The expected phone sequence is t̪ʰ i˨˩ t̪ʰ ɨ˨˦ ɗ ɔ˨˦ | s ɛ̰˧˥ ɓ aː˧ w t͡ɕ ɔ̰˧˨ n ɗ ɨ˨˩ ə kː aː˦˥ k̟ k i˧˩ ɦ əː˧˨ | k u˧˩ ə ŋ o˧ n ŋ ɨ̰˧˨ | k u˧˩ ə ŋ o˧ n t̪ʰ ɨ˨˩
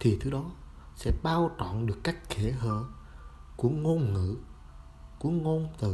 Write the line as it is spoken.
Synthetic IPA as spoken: t̪ʰ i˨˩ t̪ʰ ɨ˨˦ ɗ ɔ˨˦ | s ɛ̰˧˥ ɓ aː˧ w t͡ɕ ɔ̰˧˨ n ɗ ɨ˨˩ ə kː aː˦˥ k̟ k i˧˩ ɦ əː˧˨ | k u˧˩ ə ŋ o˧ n ŋ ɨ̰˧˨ | k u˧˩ ə ŋ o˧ n t̪ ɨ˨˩